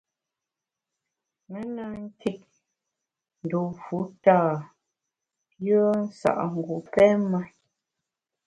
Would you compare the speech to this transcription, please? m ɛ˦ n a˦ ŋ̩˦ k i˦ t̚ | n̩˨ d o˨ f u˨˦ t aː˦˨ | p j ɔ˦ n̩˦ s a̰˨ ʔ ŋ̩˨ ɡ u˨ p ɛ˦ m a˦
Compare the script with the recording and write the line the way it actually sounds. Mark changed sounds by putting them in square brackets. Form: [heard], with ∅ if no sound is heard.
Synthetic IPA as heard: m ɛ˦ n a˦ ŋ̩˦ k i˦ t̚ | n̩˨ d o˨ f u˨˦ t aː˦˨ | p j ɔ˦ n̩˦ s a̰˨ ʔ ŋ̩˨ ɡ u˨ p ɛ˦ m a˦